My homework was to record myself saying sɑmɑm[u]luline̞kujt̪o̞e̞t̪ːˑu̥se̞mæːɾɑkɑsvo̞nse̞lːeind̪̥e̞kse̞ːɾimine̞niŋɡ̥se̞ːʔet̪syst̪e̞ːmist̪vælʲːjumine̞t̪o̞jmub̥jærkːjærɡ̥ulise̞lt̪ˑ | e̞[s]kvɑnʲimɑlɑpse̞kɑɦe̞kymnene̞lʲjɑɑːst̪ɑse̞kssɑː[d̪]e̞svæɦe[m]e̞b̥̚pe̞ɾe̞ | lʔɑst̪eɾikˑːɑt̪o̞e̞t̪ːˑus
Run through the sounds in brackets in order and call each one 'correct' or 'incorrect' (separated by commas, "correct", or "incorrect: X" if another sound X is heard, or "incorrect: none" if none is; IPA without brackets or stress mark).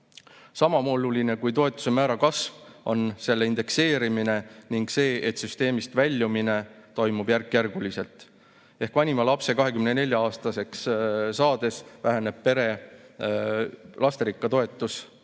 incorrect: o, incorrect: h, correct, incorrect: n